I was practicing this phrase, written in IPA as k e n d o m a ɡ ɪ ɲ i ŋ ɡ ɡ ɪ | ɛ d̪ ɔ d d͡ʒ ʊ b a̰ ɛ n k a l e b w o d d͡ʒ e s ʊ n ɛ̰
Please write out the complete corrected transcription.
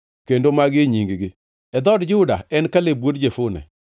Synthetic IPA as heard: k e n d o m a ɡ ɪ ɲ i ŋ ɡ ɡ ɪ | ɛ d̪ ɔ d d͡ʒ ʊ d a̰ ɛ n k a l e b w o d d͡ʒ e f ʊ n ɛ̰